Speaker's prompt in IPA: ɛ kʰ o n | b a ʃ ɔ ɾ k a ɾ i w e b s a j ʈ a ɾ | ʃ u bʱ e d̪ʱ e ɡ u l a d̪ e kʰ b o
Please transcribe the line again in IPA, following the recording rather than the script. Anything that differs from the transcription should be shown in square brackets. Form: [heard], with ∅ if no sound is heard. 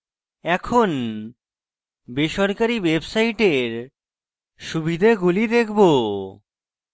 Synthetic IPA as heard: ɛ kʰ o n | b [e] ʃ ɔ ɾ k a ɾ i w e b s a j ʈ [e] ɾ | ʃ u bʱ [i] d̪ʱ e ɡ u l [i] d̪ e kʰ b o

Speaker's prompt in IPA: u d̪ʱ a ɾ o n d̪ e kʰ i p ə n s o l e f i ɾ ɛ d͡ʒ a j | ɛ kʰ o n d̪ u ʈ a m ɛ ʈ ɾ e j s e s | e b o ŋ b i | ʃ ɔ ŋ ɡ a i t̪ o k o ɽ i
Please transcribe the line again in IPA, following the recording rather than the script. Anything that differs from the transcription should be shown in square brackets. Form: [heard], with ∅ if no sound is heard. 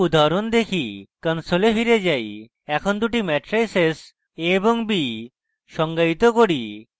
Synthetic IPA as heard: u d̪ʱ a ɾ o n d̪ e kʰ i [k] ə n s o l e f i ɾ [e] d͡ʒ a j | ɛ kʰ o n d̪ u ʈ [i] m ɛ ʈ ɾ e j s e s | e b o ŋ b i | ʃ ɔ ŋ ɡ a i t̪ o k o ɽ i

